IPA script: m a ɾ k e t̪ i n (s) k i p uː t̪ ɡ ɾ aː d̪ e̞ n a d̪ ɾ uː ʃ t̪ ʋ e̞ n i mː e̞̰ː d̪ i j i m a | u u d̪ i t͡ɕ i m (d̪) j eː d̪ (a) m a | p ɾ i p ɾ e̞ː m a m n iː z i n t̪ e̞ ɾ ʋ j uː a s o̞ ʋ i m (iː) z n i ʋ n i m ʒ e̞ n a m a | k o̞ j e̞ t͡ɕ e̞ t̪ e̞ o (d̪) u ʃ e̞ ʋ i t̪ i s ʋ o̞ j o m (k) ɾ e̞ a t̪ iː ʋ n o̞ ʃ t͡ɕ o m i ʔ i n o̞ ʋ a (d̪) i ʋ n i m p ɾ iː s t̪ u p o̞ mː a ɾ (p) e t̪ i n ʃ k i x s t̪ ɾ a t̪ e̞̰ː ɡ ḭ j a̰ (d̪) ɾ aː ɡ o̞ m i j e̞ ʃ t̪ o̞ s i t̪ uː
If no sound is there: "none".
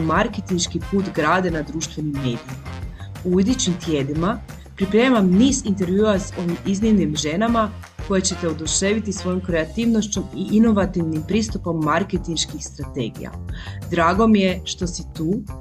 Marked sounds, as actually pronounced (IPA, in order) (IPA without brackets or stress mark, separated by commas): ʃ, t̪, i, i, d̪, k, t̪, k, d̪